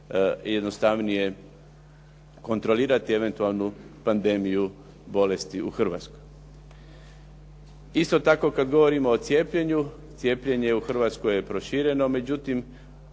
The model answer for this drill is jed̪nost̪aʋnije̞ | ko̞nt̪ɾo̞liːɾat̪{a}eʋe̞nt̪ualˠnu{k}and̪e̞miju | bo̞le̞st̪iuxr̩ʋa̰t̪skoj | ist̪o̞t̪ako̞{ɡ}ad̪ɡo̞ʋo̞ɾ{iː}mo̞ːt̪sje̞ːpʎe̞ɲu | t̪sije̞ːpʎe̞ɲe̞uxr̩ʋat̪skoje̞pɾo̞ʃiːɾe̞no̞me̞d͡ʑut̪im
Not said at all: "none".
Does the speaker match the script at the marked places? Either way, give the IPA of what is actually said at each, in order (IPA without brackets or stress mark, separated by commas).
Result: i, p, k, i